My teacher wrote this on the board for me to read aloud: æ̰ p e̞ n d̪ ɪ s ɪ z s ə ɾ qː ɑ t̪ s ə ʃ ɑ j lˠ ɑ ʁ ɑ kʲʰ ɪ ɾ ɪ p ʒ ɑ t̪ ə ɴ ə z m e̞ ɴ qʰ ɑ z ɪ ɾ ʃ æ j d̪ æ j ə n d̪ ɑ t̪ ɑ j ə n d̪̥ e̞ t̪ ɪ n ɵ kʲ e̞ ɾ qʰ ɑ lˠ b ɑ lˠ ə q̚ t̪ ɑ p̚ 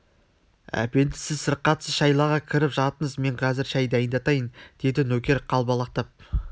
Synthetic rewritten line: æ̰ p e̞ n d̪ ɪ s ɪ z s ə ɾ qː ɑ t̪ s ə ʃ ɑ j lˠ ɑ ʁ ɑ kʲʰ ɪ ɾ ɪ p ʒ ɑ t̪ ə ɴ ə z m e̞ ɴ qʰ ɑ z ɪ ɾ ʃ æ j d̪ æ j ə n d̪ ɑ t̪ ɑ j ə n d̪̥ e̞ d̪ ɪ n ɵ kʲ e̞ ɾ qʰ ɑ lˠ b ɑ lˠ ɑ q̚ t̪ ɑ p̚